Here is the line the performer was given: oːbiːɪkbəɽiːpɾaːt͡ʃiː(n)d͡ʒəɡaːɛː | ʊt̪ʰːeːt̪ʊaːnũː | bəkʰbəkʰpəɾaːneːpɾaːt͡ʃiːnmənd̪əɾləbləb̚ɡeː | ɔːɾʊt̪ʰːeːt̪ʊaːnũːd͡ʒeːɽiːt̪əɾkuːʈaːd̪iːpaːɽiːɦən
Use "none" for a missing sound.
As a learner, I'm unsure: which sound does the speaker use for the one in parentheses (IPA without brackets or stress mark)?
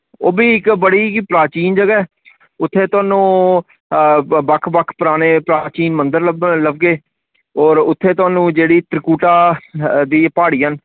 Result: n